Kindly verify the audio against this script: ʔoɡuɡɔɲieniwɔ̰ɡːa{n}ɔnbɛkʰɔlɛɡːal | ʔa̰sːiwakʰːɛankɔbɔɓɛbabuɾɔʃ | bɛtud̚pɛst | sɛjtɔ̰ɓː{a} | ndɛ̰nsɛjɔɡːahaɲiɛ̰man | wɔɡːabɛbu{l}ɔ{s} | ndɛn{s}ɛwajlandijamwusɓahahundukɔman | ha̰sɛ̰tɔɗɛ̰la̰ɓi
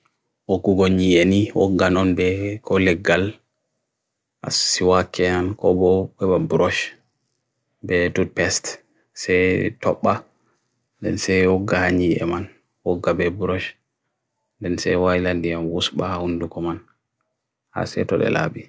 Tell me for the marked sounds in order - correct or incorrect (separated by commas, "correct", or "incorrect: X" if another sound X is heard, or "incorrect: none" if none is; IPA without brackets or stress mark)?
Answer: correct, correct, incorrect: ɾ, incorrect: ʃ, correct